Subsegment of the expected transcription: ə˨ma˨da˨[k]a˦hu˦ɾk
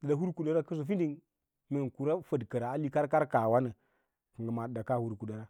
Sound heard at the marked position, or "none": k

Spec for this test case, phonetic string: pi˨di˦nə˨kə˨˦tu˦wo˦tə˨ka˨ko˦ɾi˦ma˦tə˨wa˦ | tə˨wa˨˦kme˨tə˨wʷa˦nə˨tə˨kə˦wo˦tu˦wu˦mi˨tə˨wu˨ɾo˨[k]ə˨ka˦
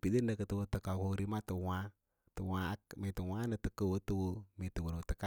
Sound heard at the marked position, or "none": t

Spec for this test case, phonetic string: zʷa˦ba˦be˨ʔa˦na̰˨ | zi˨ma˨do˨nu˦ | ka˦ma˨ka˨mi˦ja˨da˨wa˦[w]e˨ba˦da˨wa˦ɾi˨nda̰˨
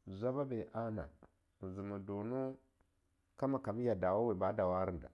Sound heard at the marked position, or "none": w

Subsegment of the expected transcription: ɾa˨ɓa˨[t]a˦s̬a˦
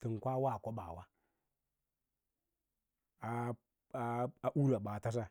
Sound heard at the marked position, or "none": t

